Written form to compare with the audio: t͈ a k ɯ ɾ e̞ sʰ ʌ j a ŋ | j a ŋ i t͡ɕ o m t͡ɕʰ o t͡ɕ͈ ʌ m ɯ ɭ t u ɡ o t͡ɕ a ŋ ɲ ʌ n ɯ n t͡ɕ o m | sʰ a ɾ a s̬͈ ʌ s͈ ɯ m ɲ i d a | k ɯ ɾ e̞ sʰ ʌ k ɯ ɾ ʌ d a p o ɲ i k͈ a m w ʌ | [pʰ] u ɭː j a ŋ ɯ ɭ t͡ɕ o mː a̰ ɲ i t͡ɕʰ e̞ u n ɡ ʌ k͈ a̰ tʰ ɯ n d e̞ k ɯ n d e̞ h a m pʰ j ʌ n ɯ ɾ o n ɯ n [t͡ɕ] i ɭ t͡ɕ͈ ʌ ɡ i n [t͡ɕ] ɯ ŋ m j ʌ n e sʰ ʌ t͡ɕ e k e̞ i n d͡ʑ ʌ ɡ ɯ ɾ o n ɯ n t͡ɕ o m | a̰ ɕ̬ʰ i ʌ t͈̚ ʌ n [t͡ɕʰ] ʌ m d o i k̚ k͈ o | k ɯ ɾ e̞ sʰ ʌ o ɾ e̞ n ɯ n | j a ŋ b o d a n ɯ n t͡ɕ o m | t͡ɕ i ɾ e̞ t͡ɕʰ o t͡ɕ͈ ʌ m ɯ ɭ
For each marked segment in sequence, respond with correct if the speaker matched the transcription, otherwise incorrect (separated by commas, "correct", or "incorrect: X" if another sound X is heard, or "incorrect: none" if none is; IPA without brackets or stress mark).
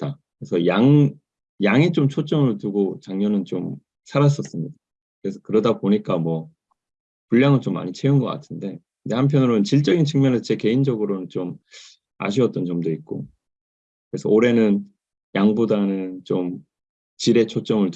incorrect: p, correct, incorrect: t͡ɕʰ, incorrect: t͡ɕ